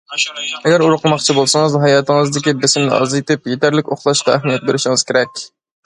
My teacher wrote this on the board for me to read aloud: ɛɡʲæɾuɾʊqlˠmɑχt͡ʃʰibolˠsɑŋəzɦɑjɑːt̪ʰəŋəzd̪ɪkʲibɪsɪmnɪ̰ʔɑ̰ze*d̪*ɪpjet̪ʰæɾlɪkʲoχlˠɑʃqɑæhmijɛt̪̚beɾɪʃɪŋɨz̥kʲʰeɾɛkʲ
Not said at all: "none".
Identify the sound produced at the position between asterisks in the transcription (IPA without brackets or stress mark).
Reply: t̪